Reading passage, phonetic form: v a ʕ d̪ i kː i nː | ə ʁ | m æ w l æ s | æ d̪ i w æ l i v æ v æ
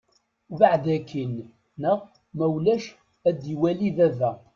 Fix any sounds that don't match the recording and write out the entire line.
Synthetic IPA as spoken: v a ʕ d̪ æ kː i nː | ə ʁ | m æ w l æ ʃ | æ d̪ i w æ l i ð æ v æ